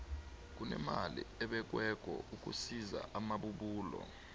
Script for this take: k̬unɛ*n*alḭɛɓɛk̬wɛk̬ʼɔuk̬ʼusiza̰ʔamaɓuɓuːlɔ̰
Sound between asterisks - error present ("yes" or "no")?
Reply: yes